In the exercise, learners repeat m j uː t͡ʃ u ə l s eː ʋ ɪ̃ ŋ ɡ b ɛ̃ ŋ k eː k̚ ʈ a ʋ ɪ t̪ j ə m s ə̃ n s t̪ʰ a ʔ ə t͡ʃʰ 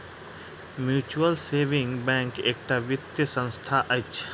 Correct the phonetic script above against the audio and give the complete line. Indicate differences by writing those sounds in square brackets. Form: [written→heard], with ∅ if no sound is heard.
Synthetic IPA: m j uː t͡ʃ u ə l s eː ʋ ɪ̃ ŋ ɡ b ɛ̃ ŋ k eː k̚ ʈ a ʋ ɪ t̪ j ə [m→∅] s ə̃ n s t̪ʰ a ʔ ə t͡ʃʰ